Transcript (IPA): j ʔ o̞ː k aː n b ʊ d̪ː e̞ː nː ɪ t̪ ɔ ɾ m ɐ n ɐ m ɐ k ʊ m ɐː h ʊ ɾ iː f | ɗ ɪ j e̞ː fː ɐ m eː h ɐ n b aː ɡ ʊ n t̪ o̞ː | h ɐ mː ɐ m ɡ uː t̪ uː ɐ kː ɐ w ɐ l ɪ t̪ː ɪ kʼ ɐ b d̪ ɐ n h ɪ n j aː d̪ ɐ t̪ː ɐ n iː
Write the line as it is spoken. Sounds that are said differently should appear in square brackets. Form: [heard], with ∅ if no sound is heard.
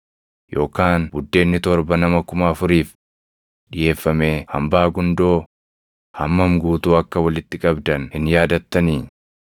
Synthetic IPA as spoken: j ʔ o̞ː k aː n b ʊ d̪ː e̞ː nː ɪ t̪ ɔ ɾ [b] ɐ n ɐ m ɐ k ʊ m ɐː [f] ʊ ɾ iː f | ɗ ɪ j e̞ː fː ɐ m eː h ɐ [m] b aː ɡ ʊ n [d̪] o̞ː | h ɐ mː ɐ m ɡ uː t̪ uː ɐ kː ɐ w ɐ l ɪ t̪ː ɪ kʼ ɐ b d̪ ɐ n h ɪ n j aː d̪ ɐ t̪ː ɐ n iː